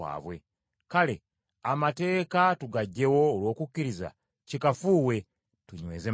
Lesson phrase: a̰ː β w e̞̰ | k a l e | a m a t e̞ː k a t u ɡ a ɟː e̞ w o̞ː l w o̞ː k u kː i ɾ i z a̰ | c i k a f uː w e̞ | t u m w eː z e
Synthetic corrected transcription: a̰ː β w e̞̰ | k a l e | a m a t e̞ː k a t u ɡ a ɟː e̞ w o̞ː l w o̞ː k u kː i ɾ i z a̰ | c i k a f uː w e̞ | t u ɲ w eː z e

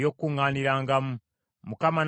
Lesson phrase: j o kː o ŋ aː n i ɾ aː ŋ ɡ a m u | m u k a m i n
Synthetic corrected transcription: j o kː u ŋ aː n i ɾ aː ŋ ɡ a m u | m u k a m a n

